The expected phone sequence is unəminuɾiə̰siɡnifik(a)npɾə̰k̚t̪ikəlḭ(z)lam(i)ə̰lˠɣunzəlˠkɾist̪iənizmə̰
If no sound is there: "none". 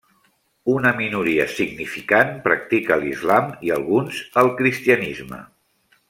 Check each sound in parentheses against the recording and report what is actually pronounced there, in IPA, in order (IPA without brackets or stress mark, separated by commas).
a, z, i